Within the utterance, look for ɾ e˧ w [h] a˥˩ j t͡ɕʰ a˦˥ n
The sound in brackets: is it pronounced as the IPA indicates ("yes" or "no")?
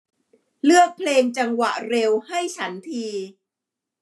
yes